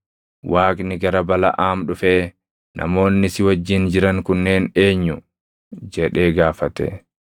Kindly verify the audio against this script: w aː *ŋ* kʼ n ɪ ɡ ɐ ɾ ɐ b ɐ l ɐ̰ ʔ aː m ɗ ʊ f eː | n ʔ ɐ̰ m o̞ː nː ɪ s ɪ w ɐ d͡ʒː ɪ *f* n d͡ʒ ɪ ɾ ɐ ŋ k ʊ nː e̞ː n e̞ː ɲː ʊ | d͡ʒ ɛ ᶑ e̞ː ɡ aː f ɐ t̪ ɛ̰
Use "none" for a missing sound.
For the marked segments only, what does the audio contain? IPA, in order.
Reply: none, none

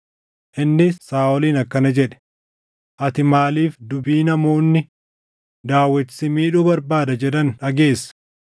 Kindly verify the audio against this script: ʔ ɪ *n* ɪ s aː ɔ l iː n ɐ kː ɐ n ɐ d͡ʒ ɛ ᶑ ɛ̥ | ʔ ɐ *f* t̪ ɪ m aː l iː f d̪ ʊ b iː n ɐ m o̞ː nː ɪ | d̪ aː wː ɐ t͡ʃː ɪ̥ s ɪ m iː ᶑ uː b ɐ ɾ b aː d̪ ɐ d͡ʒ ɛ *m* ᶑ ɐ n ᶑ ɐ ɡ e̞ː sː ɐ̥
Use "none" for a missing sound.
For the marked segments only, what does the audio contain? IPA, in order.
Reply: nː, none, none

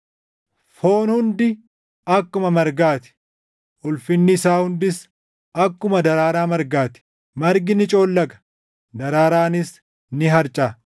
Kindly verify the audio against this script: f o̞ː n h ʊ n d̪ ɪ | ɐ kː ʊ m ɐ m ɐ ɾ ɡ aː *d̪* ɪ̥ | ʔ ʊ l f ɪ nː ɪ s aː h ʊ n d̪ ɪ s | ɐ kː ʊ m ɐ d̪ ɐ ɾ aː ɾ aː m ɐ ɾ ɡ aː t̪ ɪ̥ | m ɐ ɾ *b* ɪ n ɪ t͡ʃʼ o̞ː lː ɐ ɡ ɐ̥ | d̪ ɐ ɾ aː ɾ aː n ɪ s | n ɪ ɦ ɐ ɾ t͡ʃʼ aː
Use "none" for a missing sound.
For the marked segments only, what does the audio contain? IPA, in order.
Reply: t̪, ɡ

